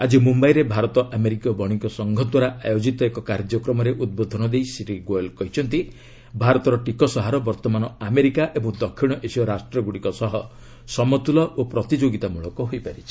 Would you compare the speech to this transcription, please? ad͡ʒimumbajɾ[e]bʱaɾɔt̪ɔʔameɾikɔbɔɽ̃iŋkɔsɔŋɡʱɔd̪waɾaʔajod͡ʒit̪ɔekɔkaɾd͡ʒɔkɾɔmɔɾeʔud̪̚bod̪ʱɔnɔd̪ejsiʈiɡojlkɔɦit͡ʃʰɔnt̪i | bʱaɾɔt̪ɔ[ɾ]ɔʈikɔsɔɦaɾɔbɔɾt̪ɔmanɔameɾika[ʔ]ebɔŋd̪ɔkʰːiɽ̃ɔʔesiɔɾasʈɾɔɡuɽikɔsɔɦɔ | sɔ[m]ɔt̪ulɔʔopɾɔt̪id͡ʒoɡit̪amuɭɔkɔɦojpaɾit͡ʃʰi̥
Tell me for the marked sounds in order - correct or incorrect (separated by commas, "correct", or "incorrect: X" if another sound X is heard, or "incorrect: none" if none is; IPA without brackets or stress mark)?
correct, correct, correct, correct